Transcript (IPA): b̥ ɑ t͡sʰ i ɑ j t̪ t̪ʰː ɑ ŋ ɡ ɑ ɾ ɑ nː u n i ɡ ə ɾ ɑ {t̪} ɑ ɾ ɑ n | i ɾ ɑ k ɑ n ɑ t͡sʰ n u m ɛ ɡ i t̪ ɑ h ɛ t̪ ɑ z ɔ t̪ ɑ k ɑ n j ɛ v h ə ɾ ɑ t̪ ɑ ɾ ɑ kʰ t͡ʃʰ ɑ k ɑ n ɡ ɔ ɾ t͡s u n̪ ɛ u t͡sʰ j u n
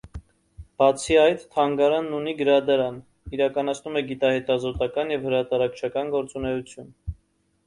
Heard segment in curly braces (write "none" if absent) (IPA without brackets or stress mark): d̪